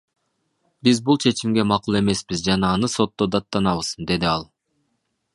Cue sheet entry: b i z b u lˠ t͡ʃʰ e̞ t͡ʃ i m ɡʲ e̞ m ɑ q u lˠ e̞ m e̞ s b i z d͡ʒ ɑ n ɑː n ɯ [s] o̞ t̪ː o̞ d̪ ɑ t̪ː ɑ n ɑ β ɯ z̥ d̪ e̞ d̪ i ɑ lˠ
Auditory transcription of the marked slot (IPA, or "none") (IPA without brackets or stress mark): s